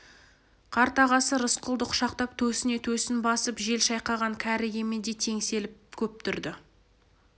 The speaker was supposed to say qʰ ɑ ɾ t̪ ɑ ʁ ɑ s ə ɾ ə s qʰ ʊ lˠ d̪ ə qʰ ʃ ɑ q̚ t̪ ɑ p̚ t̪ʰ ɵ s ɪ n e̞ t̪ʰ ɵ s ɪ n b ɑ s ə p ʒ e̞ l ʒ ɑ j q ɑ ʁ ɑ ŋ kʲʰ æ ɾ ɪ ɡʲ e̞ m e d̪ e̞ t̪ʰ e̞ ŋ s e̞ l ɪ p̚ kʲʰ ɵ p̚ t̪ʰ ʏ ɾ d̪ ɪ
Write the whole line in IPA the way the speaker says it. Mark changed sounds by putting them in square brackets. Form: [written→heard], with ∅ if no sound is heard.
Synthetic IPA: qʰ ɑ ɾ t̪ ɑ ʁ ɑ s ə ɾ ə s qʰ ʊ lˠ d̪ ə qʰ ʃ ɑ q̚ t̪ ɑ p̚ t̪ʰ ɵ s ɪ n e̞ t̪ʰ ɵ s ɪ n b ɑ s ə p ʒ e̞ l [ʒ→ʃ] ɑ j q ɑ ʁ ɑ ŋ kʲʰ æ ɾ ɪ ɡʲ e̞ m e d̪ e̞ t̪ʰ e̞ ŋ s e̞ l ɪ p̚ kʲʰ ɵ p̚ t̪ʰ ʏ ɾ d̪ ɪ